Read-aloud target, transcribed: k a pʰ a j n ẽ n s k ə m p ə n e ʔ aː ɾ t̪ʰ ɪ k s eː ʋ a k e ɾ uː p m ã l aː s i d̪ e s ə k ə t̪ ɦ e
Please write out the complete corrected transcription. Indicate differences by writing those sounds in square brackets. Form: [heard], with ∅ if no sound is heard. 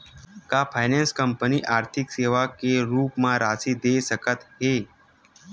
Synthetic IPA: k a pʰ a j n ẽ n s k ə m p ə n [i] ʔ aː ɾ t̪ʰ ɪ k s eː ʋ a k e ɾ uː p m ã [ɾ] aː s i d̪ e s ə k ə t̪ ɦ e